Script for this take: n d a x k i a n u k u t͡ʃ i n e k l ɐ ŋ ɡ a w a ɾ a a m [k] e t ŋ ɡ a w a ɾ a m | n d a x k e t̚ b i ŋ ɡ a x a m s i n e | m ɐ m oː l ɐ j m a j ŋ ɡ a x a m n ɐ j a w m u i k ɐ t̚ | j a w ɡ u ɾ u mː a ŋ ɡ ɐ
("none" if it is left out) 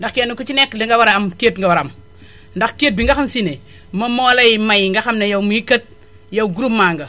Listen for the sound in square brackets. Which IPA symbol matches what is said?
k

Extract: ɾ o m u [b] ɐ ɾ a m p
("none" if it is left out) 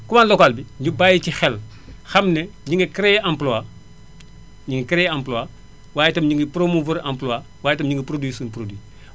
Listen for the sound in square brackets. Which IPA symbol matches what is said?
v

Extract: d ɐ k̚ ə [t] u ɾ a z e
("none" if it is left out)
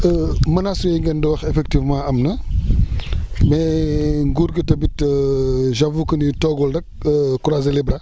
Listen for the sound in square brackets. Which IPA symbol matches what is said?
k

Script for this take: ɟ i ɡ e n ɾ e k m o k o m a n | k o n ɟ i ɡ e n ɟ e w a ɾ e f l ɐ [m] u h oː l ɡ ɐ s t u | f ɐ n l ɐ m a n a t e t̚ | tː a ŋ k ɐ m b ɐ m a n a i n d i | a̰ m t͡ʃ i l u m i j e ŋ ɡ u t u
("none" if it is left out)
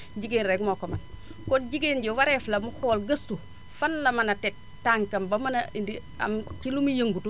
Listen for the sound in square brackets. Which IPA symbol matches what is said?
m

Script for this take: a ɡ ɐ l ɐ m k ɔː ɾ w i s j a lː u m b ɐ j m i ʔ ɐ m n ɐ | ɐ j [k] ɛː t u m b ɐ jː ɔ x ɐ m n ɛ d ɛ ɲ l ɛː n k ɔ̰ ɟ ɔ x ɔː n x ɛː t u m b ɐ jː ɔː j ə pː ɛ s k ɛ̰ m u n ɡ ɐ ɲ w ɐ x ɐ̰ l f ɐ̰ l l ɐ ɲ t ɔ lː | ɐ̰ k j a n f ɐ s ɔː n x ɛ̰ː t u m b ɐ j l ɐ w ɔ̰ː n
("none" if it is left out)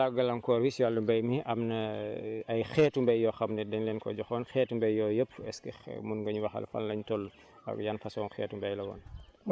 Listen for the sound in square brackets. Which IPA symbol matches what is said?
x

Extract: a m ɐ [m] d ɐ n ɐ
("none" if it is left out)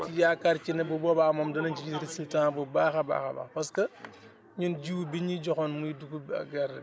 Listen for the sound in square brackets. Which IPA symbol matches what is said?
m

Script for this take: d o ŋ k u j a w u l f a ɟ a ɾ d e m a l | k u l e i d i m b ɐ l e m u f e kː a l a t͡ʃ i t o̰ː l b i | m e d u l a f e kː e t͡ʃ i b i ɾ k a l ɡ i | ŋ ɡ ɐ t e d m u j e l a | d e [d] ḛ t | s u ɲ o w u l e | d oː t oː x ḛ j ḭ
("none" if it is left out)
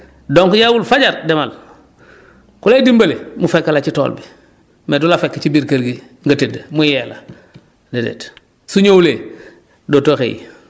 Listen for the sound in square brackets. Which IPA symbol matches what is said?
d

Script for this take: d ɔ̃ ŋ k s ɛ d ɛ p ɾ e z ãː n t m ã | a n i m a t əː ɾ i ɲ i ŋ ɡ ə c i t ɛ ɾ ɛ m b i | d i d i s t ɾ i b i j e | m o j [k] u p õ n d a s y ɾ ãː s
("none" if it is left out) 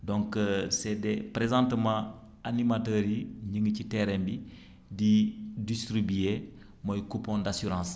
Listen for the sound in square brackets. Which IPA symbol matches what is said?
k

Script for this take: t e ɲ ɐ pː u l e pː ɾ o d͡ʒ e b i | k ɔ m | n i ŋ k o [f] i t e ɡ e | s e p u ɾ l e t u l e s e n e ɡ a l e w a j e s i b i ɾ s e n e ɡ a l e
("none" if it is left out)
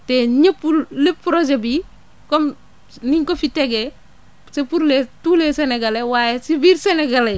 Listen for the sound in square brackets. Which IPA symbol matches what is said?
f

